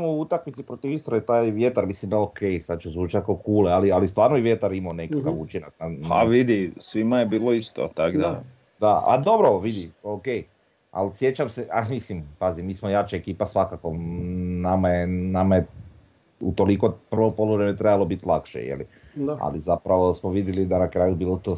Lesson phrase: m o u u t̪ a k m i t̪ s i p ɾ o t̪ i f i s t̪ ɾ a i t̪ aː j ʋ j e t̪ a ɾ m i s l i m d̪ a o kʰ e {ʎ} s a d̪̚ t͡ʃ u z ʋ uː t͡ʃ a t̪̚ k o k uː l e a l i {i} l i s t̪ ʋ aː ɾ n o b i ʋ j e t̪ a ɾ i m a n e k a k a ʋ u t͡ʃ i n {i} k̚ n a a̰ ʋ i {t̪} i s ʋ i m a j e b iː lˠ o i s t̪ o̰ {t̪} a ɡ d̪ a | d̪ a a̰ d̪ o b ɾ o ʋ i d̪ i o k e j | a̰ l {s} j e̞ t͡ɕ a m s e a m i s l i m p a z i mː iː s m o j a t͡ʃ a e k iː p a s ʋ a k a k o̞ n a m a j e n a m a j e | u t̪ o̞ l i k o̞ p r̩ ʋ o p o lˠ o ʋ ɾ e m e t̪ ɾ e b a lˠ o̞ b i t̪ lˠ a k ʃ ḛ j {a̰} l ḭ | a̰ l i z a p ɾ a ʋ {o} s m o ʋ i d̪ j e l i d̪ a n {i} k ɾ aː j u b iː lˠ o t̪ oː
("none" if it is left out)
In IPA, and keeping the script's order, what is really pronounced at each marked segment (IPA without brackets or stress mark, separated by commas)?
j, a, a, d̪, t̪, s, ḛ, o, a